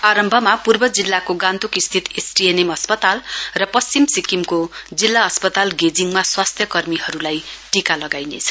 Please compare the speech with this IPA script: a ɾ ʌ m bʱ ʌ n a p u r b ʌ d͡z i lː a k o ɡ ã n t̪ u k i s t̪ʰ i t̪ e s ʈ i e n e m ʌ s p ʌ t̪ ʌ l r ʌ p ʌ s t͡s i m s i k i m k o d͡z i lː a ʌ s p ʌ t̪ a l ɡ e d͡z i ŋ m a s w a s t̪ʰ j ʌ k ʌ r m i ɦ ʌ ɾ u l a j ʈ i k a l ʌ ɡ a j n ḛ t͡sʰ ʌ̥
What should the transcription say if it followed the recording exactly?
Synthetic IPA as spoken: a ɾ ʌ m bʱ ʌ m a p u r b ʌ d͡z i lː a k o ɡ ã n t̪ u k i s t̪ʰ i t̪ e s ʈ i e n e m ʌ s p ʌ t̪ a l r ʌ p ʌ s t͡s i m s i k i m k o d͡z i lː a ʌ s p ʌ t̪ a l ɡ e d͡z i ŋ m a s w a s t̪ʰ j ʌ k ʌ r m i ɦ ʌ ɾ u l a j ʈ i k a l ʌ ɡ a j n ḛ t͡sʰ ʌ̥